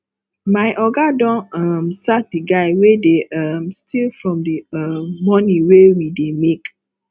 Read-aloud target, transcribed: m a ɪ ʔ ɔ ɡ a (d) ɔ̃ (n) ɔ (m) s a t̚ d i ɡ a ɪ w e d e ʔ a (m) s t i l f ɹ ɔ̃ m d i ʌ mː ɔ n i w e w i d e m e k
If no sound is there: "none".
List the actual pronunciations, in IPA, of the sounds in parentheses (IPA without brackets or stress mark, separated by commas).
d, n, m, m